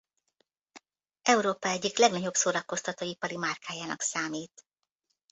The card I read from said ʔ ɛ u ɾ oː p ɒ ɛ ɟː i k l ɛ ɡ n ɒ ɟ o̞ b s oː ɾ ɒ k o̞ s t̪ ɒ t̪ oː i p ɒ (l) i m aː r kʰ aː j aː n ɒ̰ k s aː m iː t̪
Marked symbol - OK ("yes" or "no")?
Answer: no